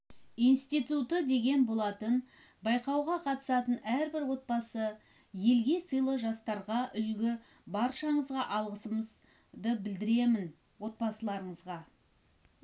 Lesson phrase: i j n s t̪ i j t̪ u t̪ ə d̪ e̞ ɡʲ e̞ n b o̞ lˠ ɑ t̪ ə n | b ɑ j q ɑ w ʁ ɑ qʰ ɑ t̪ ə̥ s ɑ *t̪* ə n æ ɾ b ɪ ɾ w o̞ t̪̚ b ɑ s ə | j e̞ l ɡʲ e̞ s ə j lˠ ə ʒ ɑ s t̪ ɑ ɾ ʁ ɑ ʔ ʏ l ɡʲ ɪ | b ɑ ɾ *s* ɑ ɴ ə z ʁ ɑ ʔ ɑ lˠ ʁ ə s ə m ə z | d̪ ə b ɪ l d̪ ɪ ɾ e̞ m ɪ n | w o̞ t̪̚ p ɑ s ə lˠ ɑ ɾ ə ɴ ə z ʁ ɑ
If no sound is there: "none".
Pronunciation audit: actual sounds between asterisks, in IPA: t̪, ʃ

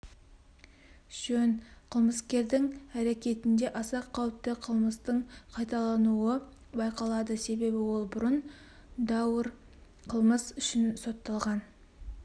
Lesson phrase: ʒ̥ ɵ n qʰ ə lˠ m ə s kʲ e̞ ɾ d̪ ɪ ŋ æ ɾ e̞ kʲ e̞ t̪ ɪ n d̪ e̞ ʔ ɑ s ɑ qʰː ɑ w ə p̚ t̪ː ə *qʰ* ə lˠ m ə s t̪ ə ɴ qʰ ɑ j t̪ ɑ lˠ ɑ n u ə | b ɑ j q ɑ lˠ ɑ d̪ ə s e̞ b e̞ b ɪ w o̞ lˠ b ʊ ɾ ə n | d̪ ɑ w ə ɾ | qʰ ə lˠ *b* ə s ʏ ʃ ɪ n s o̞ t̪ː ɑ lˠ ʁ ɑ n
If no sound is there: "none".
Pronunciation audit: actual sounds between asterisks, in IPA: qʰ, m

